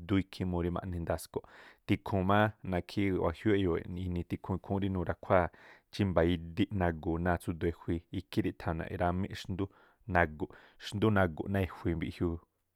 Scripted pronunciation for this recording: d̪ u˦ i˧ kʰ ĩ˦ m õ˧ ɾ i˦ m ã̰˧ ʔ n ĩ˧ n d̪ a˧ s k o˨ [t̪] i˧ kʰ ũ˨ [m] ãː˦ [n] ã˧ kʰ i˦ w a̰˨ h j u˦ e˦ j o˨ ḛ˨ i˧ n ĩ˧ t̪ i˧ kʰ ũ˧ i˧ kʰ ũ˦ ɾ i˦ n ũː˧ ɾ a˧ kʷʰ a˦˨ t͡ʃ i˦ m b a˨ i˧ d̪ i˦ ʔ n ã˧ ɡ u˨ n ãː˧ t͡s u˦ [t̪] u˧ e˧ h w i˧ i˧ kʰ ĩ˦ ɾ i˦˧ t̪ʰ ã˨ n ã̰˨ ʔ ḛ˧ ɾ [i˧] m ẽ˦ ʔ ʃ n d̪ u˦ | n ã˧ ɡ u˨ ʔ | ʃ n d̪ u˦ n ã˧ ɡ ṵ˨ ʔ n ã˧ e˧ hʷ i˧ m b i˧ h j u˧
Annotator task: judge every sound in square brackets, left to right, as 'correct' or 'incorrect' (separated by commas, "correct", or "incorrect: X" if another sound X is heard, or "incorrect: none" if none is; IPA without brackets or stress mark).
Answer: correct, correct, correct, incorrect: d̪, incorrect: a˧